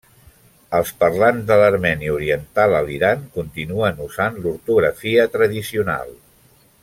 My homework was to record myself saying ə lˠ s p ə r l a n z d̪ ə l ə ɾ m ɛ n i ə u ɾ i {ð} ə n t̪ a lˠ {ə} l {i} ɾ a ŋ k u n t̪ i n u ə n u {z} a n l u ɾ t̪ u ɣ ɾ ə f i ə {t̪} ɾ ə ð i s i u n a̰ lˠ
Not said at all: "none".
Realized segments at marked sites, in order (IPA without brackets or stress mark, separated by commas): none, ə, i, z, t̪